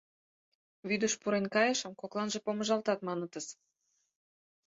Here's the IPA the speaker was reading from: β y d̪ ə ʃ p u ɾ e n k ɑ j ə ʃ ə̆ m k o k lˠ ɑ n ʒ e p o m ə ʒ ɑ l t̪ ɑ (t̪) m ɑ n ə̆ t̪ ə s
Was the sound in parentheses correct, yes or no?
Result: yes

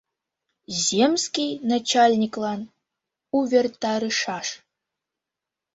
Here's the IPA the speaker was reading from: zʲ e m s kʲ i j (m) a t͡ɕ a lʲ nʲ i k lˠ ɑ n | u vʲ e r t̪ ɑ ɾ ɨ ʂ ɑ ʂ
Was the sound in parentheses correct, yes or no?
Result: no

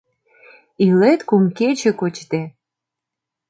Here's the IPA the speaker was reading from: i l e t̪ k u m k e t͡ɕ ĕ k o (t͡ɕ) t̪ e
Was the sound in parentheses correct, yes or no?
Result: yes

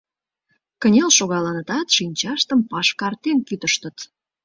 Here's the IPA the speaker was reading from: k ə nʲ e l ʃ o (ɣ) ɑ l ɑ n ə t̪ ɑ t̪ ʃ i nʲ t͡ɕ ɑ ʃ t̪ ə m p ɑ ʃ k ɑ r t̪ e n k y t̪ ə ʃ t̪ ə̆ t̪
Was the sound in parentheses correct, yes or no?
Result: yes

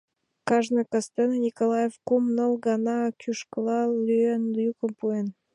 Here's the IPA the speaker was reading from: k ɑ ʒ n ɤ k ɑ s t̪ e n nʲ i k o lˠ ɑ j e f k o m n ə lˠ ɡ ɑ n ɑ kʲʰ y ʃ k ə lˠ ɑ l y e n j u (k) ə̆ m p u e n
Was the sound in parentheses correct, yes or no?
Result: yes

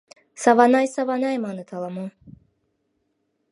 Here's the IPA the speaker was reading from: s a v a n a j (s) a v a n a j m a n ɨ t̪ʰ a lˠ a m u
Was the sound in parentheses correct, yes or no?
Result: yes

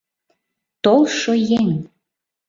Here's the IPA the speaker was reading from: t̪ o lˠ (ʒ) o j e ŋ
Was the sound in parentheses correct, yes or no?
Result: no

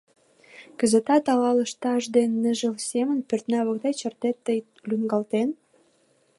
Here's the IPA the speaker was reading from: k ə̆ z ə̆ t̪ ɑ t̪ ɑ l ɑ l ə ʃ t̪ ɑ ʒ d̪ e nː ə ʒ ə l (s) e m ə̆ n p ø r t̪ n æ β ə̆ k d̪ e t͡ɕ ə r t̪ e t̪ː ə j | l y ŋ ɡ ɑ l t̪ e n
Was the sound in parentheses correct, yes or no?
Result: yes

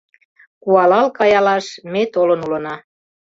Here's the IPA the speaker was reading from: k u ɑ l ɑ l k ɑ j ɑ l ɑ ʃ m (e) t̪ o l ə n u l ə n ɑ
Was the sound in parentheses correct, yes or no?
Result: yes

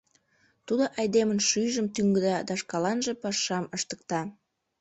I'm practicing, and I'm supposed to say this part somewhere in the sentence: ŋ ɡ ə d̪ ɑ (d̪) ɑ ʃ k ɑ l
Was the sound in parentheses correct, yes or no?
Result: yes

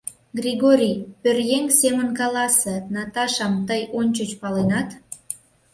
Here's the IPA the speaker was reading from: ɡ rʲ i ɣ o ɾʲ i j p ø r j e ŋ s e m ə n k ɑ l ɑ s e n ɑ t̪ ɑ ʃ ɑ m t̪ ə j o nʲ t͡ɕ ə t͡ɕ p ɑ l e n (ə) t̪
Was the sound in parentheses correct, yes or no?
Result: no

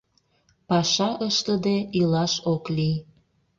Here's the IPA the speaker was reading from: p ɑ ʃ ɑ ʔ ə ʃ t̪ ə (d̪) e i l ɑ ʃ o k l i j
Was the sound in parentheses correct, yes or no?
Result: yes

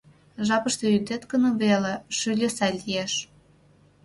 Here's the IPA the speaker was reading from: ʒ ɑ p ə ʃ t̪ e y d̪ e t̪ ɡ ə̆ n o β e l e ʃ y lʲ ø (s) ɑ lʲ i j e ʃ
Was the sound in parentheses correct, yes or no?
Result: yes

